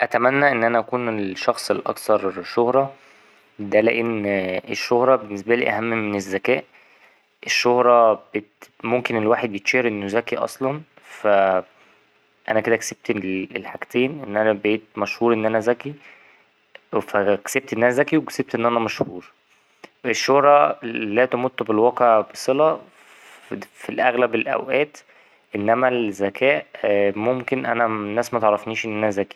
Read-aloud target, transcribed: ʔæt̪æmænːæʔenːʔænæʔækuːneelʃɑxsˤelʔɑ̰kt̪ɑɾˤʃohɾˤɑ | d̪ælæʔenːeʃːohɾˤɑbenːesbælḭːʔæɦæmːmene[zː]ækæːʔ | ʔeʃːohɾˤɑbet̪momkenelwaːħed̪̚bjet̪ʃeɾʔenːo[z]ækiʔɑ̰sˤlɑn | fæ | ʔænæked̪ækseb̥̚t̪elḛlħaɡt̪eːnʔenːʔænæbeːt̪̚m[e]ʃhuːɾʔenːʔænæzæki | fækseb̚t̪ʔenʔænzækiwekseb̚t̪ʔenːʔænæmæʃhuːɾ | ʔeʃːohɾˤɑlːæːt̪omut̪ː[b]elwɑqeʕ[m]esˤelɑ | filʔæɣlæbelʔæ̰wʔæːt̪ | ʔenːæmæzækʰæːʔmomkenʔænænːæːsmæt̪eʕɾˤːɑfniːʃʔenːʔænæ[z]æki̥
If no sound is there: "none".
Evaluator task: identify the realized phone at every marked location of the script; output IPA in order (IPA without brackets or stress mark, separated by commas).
zː, z, æ, b, b, z